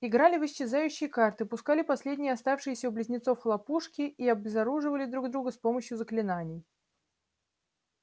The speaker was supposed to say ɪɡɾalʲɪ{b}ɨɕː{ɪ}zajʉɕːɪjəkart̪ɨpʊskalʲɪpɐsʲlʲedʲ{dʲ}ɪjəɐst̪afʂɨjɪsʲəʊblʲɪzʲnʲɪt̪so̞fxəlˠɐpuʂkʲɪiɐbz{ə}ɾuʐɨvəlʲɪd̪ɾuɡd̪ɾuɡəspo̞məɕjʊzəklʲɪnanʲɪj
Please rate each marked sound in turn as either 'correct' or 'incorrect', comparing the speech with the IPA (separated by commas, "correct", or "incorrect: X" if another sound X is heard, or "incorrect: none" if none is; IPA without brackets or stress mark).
incorrect: v, correct, incorrect: nʲ, incorrect: ɐ